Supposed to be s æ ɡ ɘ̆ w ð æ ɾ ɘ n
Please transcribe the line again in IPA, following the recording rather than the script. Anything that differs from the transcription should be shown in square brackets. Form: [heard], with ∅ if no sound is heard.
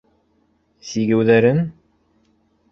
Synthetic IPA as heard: s [i] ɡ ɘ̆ w ð æ ɾ ɘ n